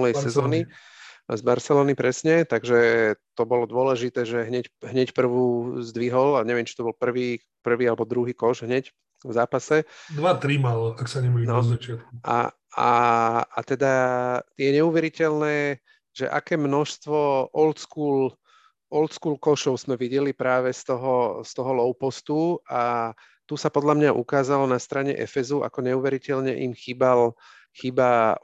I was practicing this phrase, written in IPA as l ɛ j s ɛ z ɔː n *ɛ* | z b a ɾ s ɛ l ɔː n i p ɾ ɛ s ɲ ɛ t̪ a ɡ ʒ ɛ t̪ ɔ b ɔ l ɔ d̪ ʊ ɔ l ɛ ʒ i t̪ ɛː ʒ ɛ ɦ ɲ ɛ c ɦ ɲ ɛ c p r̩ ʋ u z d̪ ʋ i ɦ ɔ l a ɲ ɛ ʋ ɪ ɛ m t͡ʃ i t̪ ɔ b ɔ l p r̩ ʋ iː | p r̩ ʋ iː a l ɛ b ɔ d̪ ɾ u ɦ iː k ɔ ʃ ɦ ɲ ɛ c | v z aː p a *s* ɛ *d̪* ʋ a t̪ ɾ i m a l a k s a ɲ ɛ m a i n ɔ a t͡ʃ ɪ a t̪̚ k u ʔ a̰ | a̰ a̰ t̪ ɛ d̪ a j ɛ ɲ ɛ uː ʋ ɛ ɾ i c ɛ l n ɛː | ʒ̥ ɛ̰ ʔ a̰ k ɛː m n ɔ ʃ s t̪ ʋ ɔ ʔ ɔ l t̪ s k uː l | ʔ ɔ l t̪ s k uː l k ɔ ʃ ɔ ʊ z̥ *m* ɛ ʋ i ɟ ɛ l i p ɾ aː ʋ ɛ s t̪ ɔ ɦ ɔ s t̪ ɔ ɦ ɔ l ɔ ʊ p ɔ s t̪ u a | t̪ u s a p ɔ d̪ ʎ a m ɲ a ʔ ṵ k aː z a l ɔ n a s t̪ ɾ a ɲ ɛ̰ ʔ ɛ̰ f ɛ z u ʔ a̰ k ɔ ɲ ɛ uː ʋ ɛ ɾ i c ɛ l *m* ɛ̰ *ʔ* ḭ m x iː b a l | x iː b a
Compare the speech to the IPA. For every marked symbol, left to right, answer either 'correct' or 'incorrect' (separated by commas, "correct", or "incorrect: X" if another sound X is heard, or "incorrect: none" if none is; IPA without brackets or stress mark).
incorrect: i, correct, correct, correct, incorrect: ɲ, correct